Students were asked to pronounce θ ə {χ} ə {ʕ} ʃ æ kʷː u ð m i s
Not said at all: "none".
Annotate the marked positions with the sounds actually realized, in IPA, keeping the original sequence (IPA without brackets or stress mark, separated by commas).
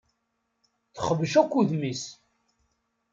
χ, v